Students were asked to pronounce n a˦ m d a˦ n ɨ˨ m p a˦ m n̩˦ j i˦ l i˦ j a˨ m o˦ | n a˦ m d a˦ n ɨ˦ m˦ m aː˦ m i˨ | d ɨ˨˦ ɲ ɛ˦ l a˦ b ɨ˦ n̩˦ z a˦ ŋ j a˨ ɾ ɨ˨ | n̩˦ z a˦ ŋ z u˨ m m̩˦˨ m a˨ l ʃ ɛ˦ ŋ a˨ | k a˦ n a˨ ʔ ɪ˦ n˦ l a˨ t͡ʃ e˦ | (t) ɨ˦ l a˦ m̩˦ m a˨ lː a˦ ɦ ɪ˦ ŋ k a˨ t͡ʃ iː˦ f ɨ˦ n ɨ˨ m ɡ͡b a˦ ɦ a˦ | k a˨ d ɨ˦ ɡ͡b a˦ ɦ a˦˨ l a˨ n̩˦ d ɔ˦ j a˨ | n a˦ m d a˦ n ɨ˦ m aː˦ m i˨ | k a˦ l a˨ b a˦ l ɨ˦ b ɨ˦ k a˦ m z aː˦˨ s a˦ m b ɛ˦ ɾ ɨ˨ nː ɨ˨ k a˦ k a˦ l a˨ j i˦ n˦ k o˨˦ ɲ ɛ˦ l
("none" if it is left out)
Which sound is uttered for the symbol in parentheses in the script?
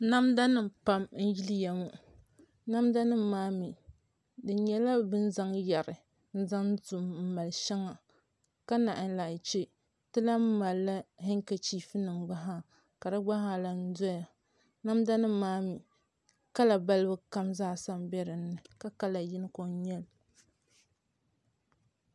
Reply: t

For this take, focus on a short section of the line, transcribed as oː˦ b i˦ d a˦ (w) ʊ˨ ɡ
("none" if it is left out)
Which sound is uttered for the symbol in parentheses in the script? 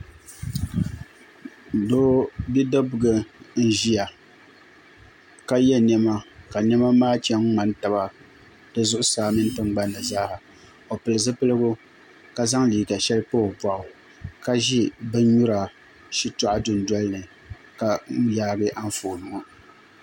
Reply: b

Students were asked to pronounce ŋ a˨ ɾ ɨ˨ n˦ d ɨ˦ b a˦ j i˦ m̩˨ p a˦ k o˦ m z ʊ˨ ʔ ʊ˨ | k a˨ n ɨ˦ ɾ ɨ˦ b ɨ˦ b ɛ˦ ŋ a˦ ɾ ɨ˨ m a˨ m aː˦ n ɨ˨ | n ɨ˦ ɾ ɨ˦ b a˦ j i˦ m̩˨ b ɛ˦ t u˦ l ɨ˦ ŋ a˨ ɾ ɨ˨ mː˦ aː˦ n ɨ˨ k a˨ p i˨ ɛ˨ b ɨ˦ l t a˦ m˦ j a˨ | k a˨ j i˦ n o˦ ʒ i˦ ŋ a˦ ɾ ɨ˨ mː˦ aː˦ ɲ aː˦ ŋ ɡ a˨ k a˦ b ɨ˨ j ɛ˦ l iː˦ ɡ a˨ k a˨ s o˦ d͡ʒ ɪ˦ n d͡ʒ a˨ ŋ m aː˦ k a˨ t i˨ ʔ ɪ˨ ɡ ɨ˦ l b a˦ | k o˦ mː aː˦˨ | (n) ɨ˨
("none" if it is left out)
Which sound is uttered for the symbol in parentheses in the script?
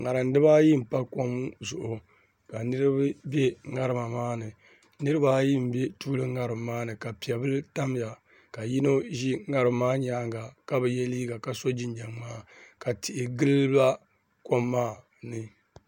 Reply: n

